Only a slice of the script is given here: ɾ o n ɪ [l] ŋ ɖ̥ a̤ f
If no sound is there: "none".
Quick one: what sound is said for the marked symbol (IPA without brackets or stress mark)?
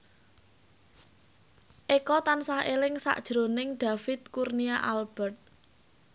none